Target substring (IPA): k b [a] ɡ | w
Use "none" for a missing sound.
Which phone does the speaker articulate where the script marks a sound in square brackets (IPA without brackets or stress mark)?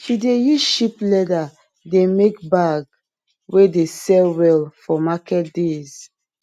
a